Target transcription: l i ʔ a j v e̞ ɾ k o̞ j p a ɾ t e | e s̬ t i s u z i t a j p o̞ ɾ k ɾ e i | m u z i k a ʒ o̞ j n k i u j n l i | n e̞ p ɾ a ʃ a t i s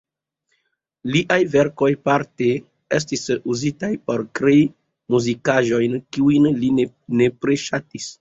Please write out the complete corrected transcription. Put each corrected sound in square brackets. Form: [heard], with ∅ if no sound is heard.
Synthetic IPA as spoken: l i ʔ a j v e̞ ɾ k o̞ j p a ɾ t e | e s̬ t i s u z i t a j p o̞ ɾ k ɾ e i | m u z i k a ʒ o̞ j n k i u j n l i | n e̞ p ɾ [e] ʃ a t i s